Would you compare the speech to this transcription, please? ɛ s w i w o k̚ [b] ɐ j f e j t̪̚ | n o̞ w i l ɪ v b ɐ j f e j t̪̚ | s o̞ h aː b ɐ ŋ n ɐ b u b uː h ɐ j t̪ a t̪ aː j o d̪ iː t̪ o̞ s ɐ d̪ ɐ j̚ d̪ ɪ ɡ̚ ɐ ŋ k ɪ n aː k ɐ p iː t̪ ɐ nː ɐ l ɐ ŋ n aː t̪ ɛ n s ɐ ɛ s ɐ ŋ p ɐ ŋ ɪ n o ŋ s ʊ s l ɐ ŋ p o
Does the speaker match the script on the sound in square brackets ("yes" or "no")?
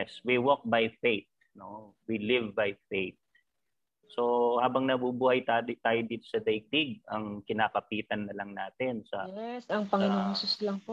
yes